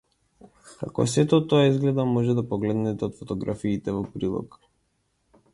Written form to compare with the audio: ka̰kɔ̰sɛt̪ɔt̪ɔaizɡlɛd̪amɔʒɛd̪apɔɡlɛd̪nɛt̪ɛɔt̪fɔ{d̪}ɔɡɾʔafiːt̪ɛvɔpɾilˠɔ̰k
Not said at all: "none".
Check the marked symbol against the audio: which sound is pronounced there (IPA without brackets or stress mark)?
t̪